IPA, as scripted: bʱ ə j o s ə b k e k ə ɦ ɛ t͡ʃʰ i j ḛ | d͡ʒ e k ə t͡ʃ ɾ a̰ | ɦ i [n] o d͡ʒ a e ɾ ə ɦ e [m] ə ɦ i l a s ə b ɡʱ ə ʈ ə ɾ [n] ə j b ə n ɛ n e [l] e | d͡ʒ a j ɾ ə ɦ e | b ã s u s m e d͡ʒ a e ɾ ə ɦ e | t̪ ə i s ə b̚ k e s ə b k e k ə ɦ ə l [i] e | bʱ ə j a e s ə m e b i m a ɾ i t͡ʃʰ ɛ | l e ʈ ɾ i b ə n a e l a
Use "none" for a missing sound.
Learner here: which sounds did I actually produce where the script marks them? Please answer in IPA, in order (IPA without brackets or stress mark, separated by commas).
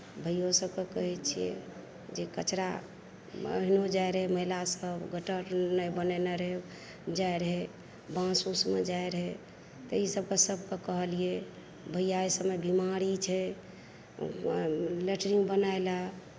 n, m, n, ɾ, i